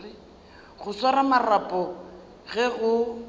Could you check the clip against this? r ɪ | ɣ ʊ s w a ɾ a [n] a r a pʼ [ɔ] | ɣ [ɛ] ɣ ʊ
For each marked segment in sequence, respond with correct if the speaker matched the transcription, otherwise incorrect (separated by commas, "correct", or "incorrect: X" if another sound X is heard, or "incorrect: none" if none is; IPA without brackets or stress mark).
incorrect: m, correct, correct